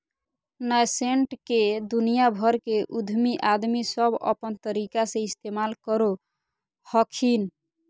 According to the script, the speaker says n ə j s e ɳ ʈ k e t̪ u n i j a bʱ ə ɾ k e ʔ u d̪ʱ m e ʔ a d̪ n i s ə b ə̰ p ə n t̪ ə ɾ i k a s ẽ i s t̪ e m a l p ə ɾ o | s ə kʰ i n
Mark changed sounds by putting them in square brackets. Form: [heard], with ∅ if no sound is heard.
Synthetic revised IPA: n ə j s e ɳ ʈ k e [d̪] u n i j a bʱ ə ɾ k e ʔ u d̪ʱ m [i] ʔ a d̪ [m] i s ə b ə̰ p ə n t̪ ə ɾ i k a s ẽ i s t̪ e m a l [k] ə ɾ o | [h] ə kʰ i n